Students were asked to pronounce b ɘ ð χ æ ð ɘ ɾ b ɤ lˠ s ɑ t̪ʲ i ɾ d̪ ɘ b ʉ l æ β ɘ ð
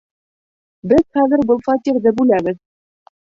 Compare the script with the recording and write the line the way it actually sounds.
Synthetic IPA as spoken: b ɘ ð χ æ ð ɘ ɾ b ɤ lˠ f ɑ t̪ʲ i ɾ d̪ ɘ b ʉ l æ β ɘ ð